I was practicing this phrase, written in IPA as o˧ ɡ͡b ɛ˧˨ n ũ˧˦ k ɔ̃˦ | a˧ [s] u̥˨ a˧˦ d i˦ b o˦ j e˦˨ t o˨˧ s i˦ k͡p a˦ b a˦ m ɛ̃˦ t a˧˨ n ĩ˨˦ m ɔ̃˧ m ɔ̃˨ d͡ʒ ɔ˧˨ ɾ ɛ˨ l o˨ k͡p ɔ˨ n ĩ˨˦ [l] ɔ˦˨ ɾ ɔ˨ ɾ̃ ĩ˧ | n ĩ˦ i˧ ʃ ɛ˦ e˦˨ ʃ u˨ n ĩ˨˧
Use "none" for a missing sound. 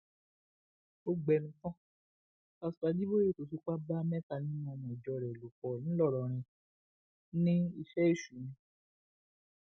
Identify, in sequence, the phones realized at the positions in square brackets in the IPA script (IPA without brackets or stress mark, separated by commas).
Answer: s, l